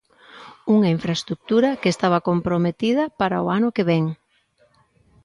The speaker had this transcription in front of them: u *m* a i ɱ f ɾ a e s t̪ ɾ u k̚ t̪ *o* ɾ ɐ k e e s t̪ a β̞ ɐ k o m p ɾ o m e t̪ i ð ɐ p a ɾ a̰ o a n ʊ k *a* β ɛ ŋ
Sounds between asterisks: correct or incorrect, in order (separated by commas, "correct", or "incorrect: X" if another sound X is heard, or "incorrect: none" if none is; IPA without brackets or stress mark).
incorrect: ŋ, incorrect: u, incorrect: e